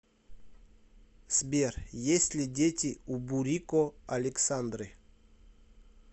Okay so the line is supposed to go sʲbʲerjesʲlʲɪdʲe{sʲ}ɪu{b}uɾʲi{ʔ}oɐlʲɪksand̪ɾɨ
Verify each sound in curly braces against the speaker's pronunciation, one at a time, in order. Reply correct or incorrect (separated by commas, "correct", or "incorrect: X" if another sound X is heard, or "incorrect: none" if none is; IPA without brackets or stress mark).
incorrect: tʲ, correct, incorrect: k